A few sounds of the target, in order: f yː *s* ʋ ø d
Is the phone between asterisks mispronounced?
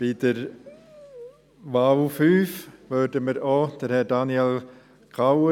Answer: yes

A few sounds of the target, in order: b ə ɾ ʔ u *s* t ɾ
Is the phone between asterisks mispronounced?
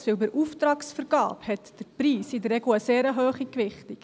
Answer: yes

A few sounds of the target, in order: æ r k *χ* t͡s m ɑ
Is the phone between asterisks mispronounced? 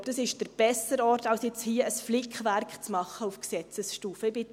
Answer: no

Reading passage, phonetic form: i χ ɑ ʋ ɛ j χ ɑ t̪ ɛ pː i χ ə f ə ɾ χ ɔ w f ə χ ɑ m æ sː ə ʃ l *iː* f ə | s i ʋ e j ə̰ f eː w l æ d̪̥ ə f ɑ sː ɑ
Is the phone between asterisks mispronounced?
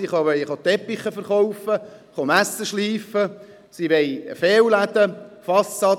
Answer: no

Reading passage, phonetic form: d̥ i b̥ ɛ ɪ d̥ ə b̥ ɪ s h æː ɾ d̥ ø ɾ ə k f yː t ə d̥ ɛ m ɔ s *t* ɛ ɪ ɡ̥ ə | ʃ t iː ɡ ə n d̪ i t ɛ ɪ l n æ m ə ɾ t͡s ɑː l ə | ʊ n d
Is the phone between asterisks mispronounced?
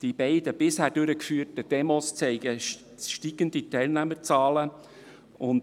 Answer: yes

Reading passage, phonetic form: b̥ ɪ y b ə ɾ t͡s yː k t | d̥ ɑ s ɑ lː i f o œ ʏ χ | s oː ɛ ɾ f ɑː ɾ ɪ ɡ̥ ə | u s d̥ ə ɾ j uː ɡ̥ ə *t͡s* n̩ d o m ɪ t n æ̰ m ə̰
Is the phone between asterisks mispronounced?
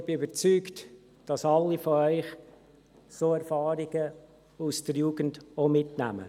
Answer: yes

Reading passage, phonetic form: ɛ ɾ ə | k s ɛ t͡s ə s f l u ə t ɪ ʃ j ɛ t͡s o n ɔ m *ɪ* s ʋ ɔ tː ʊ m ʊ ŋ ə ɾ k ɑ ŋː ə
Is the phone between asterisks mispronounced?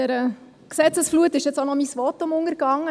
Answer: yes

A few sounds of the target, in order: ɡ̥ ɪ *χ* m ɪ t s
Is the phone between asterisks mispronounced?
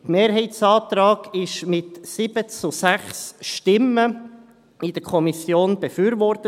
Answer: yes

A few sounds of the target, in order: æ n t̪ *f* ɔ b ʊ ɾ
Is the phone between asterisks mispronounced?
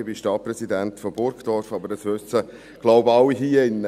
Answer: no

